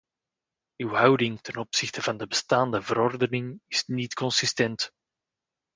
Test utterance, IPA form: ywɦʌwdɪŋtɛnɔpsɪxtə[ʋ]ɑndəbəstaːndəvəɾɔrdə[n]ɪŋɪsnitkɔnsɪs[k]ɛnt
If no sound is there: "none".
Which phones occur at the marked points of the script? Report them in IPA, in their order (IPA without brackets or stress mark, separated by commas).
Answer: v, n, t